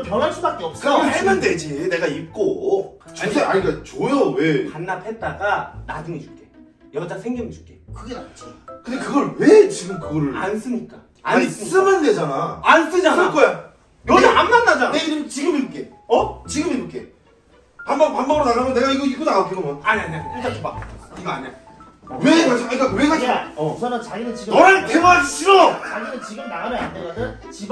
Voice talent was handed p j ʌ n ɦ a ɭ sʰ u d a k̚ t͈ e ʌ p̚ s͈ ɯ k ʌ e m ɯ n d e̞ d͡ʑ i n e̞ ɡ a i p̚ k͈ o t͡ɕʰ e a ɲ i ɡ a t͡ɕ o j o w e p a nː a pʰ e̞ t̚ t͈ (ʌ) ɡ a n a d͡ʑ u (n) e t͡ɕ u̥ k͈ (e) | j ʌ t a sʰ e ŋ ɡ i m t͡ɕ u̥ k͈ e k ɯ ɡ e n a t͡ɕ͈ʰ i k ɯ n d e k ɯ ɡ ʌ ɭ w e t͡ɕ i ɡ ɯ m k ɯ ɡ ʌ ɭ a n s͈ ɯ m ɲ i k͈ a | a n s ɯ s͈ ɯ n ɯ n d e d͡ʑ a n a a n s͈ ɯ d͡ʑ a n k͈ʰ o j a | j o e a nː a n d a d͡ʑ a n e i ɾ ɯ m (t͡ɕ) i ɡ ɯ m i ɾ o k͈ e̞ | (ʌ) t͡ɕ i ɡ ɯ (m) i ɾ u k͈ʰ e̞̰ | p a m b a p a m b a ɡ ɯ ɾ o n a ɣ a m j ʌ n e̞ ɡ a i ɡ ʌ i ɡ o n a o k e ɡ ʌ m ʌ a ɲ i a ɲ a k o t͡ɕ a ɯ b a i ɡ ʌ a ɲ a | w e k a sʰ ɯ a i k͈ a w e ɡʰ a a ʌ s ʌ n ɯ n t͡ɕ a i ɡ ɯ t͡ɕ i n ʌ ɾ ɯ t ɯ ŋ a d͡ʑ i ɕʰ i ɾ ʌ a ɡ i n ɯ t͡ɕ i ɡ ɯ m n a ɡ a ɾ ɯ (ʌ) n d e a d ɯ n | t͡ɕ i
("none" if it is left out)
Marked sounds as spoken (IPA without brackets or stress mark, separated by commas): a, ŋ, e, t͡ɕ, ʌ, m, a